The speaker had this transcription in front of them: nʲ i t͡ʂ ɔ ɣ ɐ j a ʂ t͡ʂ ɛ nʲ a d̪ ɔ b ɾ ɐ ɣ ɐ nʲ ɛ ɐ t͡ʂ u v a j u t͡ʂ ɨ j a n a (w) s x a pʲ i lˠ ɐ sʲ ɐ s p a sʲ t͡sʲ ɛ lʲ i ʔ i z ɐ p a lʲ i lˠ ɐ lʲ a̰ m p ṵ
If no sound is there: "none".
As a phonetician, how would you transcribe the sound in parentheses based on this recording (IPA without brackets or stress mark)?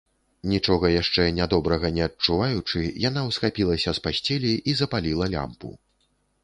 w